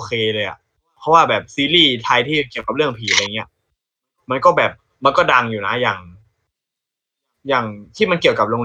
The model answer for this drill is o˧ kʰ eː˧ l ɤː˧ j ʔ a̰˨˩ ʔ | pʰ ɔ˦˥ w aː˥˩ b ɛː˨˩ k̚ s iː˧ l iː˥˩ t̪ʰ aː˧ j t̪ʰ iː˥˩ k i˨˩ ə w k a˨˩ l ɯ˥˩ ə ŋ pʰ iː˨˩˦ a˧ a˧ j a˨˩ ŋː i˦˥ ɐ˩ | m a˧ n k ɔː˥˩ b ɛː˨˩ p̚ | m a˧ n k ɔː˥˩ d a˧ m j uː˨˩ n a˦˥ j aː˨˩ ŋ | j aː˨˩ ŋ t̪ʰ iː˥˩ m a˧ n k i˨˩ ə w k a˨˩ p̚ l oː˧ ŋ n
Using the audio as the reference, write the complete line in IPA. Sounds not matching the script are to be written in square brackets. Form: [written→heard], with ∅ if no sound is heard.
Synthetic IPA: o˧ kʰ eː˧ l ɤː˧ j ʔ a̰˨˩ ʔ | pʰ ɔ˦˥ w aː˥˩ b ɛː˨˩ [k̚→p̚] s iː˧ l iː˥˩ t̪ʰ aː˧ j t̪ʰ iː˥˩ k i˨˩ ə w k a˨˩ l ɯ˥˩ ə ŋ pʰ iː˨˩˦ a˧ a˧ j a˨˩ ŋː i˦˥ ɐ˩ | m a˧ n k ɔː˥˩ b ɛː˨˩ p̚ | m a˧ n k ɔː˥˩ d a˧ [m→ŋ] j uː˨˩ n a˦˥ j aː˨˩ ŋ | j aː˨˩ ŋ t̪ʰ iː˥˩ m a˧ n k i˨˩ ə w k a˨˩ p̚ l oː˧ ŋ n